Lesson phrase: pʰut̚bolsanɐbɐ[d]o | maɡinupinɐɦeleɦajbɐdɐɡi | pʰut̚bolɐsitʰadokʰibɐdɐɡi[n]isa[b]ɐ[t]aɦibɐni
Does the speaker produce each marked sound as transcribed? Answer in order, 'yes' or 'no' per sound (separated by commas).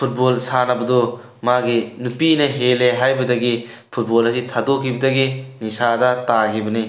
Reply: yes, yes, no, yes